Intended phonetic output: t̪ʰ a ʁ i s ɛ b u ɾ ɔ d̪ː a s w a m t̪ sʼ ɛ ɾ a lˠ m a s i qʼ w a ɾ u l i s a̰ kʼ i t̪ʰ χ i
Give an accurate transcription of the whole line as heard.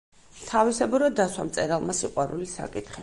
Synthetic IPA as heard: t̪ʰ a v i s ɛ b u ɾ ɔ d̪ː a s w a m t̪ sʼ ɛ ɾ a lˠ m a s i qʼ w a ɾ u l i s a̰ kʼ i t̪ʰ χ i